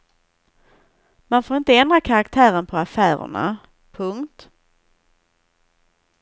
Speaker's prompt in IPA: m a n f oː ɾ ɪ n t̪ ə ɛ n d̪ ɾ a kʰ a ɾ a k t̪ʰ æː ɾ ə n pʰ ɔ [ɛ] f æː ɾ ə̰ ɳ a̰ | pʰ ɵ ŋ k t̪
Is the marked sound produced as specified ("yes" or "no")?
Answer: no